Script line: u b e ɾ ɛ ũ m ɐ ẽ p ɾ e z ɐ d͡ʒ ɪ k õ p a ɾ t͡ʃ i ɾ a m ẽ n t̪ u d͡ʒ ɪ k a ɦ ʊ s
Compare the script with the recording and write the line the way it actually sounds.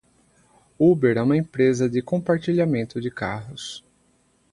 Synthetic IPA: u b e ɾ ɛ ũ m ɐ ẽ p ɾ e z ɐ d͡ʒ ɪ k õ p a ɾ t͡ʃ i ʎ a m ẽ n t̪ ʊ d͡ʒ ɪ k a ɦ ʊ s